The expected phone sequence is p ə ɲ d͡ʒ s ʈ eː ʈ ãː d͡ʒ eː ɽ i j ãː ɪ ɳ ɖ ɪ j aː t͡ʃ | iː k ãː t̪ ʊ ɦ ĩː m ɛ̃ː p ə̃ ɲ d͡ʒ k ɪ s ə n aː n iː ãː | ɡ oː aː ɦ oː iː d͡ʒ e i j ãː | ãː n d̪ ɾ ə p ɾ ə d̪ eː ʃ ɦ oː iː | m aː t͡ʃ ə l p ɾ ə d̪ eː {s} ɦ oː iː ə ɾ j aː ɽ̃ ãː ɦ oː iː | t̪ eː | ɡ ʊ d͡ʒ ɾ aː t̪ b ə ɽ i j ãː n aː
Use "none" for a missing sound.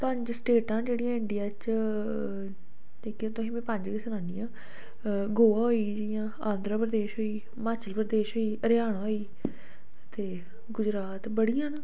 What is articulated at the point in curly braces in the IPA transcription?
ʃ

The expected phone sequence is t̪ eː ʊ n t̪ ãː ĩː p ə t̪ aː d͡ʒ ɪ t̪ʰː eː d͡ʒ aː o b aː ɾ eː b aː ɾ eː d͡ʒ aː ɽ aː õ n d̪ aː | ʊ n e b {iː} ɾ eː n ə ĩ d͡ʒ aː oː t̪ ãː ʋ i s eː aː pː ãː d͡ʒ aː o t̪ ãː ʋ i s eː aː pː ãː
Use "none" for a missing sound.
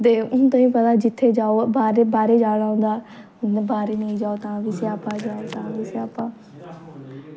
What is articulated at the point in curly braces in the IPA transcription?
aː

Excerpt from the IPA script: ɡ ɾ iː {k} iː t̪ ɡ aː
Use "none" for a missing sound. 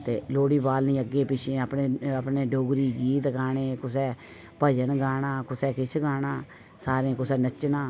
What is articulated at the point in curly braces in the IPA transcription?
ɡ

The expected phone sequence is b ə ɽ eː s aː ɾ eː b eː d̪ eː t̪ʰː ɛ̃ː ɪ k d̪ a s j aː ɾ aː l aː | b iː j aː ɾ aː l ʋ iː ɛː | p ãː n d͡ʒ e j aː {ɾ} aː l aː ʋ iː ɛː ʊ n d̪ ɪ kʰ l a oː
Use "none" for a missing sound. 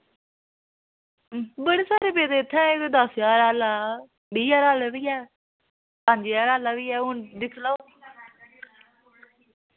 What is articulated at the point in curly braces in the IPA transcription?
ɾ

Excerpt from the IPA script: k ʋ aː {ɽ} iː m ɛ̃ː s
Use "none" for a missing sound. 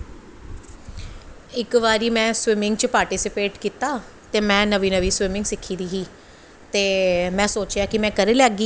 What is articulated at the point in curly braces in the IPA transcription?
ɾ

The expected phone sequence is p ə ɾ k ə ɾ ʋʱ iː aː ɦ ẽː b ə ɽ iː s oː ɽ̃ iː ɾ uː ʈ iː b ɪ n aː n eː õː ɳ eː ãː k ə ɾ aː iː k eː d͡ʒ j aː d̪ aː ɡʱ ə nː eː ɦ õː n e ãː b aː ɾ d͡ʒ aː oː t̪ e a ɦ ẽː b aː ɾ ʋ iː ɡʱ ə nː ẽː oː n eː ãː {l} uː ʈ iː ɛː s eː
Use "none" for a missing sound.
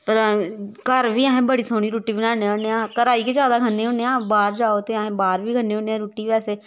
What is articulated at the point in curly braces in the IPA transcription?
ɾ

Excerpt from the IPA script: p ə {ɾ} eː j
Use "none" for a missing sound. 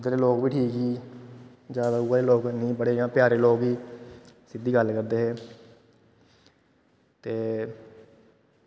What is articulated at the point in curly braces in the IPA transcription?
ɽ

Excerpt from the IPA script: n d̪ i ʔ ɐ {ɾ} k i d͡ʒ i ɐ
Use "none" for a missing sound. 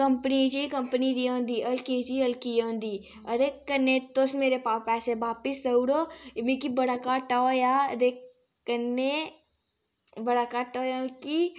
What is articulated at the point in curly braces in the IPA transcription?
l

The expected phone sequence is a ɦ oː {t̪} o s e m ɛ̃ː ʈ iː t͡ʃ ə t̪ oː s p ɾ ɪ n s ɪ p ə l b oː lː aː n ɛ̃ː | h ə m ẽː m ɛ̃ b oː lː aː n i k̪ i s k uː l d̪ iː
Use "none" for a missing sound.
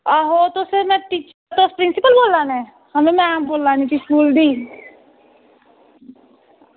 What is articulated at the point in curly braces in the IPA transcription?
t̪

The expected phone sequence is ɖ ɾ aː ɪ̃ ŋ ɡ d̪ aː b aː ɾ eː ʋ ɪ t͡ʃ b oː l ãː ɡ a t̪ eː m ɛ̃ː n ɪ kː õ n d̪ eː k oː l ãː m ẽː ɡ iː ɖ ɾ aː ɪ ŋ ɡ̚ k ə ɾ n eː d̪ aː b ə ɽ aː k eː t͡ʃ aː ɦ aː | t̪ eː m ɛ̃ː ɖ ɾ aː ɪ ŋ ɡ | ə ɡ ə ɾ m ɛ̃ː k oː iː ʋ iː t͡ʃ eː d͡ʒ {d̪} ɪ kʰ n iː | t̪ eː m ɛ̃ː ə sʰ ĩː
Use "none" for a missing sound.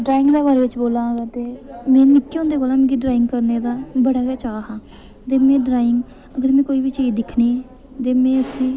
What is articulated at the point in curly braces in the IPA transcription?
d̪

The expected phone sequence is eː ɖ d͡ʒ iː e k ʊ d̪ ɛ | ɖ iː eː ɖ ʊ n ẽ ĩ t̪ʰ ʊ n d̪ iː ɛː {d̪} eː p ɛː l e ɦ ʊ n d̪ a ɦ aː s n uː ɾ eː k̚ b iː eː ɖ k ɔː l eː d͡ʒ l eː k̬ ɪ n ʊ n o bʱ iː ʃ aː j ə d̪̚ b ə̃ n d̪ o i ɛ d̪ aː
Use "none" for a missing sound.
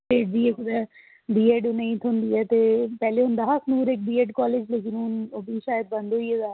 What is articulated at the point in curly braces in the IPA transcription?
t̪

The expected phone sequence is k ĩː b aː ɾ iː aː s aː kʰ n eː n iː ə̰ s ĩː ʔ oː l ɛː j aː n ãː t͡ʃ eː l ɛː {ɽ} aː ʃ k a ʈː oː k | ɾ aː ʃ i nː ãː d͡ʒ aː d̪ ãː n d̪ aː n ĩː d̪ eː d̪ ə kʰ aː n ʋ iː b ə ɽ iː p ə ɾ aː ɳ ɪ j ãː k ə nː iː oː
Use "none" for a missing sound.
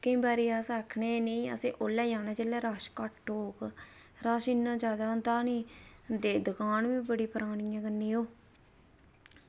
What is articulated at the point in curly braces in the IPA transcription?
ɾ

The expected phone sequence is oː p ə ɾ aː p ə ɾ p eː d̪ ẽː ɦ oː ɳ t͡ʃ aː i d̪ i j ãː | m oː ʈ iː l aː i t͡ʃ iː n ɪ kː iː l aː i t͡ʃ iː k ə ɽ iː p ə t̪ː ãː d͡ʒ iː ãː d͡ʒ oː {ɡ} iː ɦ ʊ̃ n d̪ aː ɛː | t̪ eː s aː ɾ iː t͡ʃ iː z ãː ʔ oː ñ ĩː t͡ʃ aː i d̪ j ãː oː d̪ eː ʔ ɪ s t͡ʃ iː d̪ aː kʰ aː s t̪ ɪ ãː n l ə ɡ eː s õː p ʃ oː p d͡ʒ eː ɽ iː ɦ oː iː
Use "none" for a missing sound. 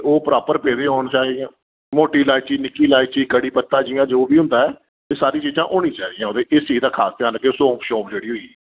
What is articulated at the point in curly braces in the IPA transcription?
b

